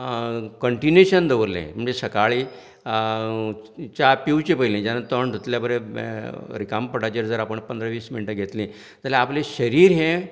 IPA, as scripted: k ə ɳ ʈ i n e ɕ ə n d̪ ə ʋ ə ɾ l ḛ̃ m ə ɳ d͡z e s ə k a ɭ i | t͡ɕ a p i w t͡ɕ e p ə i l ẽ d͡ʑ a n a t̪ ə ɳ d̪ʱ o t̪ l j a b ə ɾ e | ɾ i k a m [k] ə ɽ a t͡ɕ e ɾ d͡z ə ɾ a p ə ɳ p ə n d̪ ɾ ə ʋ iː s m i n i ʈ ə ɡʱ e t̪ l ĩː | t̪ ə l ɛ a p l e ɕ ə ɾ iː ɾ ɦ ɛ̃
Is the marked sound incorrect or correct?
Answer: incorrect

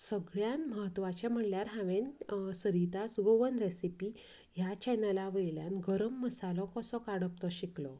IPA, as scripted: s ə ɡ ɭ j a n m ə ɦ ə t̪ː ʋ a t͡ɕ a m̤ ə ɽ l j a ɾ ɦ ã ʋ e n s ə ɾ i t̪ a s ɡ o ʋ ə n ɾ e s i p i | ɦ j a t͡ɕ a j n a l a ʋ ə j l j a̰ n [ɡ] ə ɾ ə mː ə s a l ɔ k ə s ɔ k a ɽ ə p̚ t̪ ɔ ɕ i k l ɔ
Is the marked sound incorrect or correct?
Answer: correct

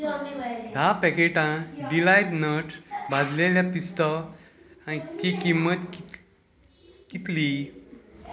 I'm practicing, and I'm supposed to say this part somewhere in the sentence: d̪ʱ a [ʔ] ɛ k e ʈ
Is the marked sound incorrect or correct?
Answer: incorrect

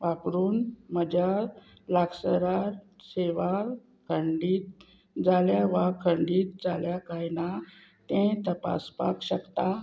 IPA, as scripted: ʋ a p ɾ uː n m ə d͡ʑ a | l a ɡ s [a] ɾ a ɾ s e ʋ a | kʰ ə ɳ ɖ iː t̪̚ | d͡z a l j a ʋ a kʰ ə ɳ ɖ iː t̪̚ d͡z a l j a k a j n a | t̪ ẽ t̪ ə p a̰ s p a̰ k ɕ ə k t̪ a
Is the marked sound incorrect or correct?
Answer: incorrect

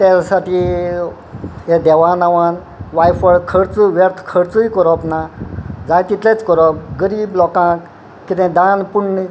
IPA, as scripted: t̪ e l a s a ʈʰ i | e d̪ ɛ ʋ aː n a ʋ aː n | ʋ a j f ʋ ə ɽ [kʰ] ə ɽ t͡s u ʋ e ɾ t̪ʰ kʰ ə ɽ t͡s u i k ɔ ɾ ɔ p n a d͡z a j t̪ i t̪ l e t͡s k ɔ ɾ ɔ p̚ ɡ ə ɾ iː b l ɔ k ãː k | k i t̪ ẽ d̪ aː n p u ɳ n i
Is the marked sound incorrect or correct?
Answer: correct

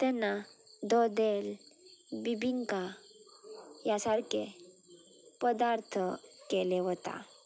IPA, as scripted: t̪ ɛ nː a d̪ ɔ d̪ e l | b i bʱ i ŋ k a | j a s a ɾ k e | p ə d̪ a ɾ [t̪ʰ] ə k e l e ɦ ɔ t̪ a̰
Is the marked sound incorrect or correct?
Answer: correct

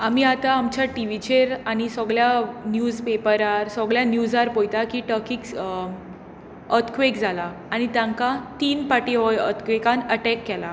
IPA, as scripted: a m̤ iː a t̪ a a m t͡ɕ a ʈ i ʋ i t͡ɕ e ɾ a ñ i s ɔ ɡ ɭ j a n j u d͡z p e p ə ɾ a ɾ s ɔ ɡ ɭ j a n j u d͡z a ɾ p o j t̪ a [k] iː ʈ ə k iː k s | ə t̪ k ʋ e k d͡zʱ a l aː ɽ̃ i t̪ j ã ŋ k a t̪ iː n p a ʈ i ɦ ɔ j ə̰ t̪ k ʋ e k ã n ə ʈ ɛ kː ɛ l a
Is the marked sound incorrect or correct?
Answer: correct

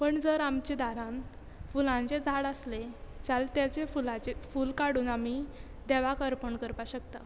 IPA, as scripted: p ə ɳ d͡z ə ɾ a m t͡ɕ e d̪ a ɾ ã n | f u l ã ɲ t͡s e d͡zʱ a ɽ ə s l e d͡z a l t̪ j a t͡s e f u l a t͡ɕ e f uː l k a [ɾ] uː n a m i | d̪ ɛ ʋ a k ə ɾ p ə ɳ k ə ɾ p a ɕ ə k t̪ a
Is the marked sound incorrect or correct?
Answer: incorrect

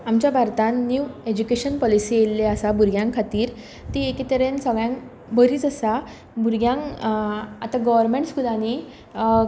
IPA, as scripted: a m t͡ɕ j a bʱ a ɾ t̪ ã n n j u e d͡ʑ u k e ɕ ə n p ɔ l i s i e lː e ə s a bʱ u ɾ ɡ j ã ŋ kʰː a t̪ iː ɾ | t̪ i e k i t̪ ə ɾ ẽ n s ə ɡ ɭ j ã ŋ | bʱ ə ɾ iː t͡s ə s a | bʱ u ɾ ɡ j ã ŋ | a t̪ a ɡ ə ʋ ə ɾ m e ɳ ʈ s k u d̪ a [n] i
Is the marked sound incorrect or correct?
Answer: correct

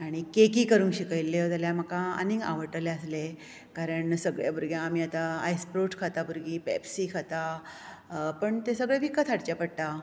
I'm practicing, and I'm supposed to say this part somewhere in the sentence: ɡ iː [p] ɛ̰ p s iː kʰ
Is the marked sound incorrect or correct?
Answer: correct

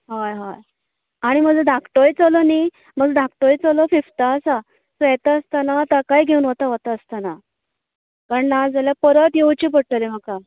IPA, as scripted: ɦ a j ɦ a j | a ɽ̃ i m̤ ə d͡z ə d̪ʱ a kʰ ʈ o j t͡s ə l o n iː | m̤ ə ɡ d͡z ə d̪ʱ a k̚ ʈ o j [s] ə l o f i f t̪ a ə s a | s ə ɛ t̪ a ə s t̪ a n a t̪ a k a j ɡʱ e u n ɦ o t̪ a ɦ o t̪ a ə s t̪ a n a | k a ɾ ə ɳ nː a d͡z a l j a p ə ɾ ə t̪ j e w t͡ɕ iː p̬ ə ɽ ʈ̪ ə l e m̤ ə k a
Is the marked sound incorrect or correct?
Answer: incorrect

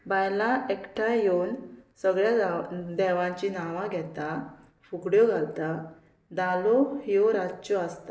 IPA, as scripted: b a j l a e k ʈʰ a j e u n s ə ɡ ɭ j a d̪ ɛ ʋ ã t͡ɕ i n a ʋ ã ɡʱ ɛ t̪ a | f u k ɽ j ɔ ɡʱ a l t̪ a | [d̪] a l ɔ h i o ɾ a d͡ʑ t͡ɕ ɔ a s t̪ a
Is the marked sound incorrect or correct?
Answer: correct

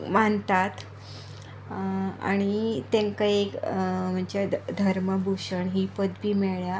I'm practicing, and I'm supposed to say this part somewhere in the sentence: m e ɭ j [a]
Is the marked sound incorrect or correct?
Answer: correct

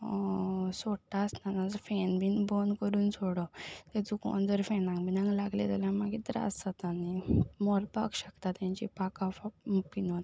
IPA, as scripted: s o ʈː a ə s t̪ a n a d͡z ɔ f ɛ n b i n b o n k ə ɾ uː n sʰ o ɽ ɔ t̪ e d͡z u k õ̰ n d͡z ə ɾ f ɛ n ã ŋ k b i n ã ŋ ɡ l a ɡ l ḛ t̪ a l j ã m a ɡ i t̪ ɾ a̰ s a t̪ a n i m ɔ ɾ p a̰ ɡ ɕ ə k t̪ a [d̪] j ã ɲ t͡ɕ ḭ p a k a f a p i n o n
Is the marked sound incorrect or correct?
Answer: incorrect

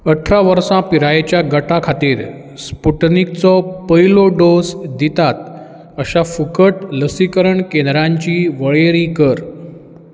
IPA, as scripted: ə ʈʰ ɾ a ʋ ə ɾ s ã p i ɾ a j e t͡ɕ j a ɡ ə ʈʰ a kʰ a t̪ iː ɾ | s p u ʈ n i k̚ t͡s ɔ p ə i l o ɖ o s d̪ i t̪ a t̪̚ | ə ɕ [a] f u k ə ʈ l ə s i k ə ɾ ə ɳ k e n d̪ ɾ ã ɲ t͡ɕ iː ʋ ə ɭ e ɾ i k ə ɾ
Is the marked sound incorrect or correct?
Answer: correct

